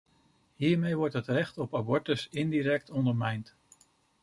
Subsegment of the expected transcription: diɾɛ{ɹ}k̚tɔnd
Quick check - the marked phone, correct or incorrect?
incorrect